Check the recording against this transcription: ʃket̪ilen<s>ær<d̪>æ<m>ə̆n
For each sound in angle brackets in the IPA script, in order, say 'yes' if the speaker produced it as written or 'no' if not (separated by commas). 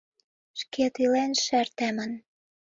no, no, yes